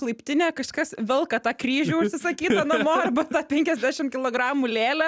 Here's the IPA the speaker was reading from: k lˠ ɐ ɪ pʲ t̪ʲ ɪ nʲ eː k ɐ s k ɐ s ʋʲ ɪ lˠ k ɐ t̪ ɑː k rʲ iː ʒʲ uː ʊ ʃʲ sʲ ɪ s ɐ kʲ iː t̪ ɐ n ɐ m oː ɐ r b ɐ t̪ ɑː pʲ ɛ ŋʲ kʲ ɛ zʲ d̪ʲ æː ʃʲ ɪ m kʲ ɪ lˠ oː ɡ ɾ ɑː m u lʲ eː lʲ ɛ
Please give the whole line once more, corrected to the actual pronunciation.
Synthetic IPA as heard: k lˠ ɐ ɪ pʲ t̪ʲ ɪ nʲ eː k ɐ ʃ k ɐ s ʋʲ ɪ lˠ k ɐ t̪ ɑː k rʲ iː ʒʲ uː ʊ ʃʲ sʲ ɪ s ɐ kʲ iː t̪ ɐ n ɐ m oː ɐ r b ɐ t̪ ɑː pʲ ɛ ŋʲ kʲ ɛ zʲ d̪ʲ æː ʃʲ ɪ m kʲ ɪ lˠ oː ɡ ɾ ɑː m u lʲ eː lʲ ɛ